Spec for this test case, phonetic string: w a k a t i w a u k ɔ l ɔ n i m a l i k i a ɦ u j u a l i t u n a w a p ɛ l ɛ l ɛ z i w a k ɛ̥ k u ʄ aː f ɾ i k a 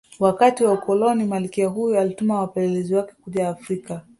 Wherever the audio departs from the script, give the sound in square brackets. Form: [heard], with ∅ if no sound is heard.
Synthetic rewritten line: w a k a t i w a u k ɔ l ɔ n i m a l i k i a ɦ u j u a l i t u [m] a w a p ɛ l ɛ l ɛ z i w a k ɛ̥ k u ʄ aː f ɾ i k a